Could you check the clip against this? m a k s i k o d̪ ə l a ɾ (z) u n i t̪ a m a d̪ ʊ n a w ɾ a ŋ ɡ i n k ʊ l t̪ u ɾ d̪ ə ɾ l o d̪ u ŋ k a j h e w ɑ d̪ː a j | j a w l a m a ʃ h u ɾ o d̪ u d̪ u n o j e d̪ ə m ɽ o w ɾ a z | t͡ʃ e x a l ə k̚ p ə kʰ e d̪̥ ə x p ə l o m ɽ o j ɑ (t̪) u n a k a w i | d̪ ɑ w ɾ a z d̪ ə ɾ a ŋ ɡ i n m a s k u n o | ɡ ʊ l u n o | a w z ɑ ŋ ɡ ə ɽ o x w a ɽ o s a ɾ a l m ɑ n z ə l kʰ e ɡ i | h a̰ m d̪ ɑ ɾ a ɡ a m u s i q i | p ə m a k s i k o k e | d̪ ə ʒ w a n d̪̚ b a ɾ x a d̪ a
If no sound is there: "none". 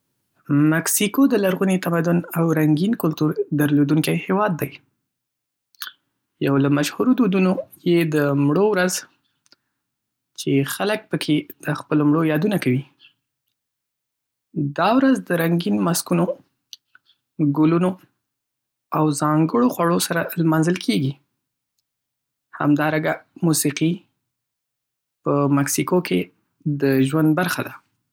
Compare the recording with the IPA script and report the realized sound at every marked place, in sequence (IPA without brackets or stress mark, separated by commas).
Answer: ɣ, d̪